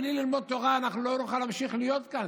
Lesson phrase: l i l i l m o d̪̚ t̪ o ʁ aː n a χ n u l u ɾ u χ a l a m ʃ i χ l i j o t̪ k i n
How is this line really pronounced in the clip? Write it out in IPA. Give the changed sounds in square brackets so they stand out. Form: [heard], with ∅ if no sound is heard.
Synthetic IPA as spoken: l i l i l m o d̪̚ t̪ o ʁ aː n a χ n u l [o] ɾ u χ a l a m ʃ i χ l i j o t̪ k [a] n